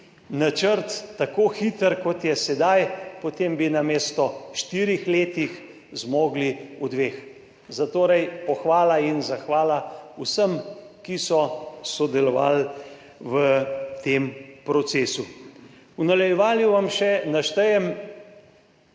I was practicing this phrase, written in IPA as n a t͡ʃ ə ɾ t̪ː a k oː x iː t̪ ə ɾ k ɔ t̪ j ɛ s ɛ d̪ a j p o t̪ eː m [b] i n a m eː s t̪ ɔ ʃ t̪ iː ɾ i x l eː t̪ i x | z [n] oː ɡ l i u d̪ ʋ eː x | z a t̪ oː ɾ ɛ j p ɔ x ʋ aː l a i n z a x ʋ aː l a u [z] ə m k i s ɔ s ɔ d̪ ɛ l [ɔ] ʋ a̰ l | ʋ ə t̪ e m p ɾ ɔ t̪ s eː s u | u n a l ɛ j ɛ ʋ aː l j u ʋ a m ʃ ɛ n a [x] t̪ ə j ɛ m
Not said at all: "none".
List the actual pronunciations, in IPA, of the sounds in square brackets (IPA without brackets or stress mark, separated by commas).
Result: b, m, s, ɔ, ʃ